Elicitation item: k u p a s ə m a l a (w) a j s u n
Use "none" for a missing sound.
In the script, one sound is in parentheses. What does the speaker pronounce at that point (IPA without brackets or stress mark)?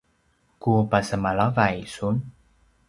v